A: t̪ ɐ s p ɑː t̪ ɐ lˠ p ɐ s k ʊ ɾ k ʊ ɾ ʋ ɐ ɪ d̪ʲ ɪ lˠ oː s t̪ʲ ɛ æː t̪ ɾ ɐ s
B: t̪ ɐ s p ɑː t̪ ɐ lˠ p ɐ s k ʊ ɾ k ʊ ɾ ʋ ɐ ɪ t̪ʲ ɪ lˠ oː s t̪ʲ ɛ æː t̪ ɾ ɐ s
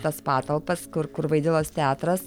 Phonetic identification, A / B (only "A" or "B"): A